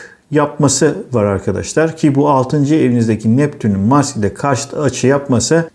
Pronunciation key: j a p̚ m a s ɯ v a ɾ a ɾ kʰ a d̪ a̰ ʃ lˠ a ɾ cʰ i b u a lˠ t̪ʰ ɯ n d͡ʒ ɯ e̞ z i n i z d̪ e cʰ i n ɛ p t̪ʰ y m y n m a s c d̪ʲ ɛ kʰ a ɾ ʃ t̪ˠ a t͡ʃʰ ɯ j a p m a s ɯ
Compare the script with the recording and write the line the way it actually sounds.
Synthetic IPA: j a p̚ m a s ɯ v a ɾ a ɾ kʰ a d̪ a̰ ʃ lˠ a ɾ cʰ i b u a lˠ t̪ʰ ɯ n d͡ʒ ɯ e̞ v i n i z d̪ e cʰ i n ɛ p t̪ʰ y n y n m a s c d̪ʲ ɛ kʰ a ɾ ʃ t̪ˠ a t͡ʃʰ ɯ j a p m a s ɯ